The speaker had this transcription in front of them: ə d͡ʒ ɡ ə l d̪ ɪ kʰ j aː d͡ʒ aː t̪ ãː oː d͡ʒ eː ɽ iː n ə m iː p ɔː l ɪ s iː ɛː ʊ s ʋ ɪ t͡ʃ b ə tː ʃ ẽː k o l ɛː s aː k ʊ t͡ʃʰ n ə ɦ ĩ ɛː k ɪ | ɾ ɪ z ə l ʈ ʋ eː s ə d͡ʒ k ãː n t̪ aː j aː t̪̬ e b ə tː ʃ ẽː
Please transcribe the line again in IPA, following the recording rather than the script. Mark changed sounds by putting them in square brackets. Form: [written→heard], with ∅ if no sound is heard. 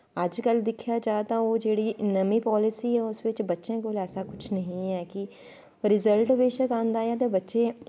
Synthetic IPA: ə d͡ʒ [ɡ→k] ə l d̪ ɪ kʰ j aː d͡ʒ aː t̪ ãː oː d͡ʒ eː ɽ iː n ə m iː p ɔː l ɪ s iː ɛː ʊ s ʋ ɪ t͡ʃ b ə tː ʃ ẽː k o l ɛː s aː k ʊ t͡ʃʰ n ə ɦ ĩ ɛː k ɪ | ɾ ɪ z ə l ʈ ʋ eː [s→ʃ] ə [d͡ʒ→∅] k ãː n [t̪→d̪] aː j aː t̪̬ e b ə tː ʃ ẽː